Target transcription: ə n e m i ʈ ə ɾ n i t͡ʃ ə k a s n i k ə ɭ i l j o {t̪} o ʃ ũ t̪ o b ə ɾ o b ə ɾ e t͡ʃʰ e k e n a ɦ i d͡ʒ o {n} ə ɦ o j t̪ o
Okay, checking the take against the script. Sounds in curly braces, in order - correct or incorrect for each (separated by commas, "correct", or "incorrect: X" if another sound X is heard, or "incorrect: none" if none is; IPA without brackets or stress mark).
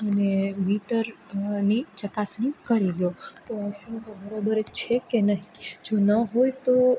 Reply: correct, correct